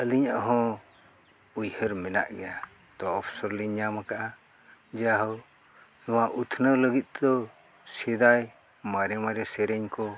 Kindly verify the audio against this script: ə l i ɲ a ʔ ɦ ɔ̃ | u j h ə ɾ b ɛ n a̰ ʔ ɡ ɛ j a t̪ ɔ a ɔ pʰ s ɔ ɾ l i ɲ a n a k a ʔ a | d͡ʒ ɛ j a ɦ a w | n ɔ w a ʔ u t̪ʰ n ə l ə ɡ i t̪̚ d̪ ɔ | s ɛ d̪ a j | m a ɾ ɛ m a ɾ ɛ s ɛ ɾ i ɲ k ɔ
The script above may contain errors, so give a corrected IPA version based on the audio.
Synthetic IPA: ə l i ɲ a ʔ ɦ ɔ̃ | u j h ə ɾ m ɛ n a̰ ʔ ɡ ɛ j a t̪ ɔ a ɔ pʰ s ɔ ɾ l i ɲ a m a k a ʔ a | d͡ʒ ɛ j a ɦ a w | n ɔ w a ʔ u t̪ʰ n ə l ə ɡ i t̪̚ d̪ ɔ | s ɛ d̪ a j | m a ɾ ɛ m a ɾ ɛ s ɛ ɾ ɛ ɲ k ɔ